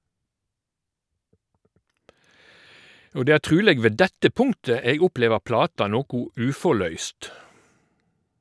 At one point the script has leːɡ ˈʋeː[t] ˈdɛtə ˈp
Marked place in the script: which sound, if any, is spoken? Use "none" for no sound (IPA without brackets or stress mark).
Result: none